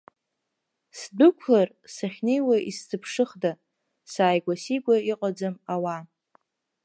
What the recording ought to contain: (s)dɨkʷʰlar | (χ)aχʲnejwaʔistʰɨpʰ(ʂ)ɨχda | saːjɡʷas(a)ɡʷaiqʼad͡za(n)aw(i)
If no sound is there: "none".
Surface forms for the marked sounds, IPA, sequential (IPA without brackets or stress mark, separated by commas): s, s, ʂ, i, m, a